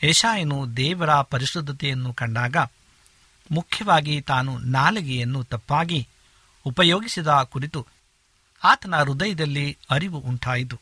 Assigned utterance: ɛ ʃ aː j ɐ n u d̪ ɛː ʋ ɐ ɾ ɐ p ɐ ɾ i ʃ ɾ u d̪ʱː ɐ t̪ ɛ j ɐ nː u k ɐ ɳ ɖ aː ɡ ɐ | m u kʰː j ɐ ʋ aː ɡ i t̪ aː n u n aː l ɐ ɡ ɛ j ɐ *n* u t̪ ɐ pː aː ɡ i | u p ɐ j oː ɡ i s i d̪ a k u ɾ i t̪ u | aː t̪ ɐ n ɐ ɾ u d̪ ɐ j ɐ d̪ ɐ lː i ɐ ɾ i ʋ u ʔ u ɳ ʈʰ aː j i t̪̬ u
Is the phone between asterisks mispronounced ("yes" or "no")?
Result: yes